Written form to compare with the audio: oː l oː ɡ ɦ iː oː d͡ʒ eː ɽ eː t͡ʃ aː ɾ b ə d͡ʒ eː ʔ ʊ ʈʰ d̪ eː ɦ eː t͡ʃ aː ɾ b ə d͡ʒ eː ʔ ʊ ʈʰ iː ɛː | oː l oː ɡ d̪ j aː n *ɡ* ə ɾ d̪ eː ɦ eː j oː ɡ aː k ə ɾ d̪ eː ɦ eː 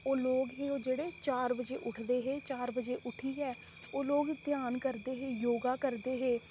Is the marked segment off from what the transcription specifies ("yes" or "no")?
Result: yes